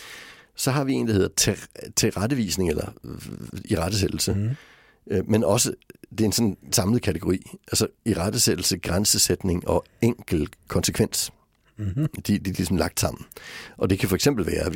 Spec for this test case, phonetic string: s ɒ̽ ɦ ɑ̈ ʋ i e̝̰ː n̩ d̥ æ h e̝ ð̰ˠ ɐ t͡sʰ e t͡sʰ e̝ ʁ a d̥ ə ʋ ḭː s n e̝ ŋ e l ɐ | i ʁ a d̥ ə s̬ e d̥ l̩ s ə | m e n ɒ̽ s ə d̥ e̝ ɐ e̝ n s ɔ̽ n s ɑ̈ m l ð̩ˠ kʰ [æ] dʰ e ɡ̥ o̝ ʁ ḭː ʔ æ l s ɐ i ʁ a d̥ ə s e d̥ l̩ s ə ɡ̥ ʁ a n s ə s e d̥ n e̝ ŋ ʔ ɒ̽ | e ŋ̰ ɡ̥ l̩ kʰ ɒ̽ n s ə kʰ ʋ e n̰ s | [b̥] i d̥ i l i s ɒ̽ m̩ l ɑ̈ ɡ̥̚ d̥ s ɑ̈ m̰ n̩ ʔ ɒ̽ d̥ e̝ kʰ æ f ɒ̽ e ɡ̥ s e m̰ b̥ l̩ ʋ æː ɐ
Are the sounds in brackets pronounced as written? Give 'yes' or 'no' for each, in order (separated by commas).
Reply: yes, no